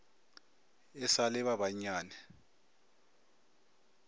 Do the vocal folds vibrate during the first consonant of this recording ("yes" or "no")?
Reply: no